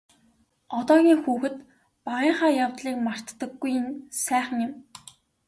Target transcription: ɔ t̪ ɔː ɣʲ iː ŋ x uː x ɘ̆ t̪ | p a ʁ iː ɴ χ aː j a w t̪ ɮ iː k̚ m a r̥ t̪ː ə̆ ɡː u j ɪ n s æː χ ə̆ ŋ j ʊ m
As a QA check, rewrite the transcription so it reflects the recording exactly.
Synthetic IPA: ɔ t̪ ɔː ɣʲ iː ŋ x uː x ɘ̆ t̪ | p a ʁ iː ɴ χ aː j a w t̪ ɮ iː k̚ m a r̥ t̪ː ə̆ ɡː u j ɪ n s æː χ ə̆ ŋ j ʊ m